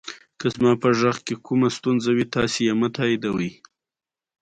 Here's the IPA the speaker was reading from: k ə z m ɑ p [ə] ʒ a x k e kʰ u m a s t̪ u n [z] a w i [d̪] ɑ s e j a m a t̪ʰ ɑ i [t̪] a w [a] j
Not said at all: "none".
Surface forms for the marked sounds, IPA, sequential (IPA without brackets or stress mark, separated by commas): ə, z, t̪, d̪, ə